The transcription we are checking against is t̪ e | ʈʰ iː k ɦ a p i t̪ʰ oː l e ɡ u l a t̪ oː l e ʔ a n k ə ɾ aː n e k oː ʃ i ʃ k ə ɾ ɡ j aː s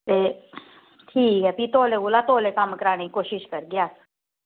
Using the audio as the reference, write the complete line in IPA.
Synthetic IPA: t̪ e | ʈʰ iː k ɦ ɛ p i t̪ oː l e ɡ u l a t̪ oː l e k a m k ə ɾ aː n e k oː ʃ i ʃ k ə ɾ ɡ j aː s